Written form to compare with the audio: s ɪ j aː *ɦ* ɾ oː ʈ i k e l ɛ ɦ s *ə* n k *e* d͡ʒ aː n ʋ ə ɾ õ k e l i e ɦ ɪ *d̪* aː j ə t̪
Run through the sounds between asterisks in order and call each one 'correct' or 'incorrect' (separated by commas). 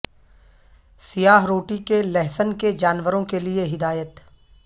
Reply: correct, correct, correct, correct